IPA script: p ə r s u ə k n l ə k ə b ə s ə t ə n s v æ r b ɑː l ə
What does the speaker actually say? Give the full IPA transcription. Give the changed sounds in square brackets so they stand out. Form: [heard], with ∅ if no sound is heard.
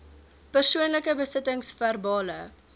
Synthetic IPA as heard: p ə r s u ə [∅] n l ə k ə b ə s ə t ə [ŋ] s [f] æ r b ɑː l ə